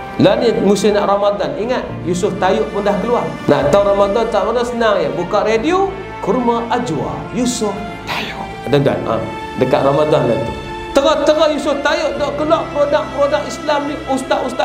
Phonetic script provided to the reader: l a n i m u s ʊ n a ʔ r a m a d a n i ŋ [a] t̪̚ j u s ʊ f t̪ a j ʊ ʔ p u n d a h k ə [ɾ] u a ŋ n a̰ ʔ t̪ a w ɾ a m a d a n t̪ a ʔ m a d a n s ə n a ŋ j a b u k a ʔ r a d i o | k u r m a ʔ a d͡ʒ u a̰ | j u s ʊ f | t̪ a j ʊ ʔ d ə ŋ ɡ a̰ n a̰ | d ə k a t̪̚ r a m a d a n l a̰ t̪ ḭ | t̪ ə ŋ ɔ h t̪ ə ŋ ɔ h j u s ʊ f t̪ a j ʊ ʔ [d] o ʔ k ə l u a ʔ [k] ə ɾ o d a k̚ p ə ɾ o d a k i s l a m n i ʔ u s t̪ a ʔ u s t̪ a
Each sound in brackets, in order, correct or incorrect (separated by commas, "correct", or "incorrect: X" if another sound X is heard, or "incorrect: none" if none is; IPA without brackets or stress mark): correct, incorrect: l, correct, incorrect: p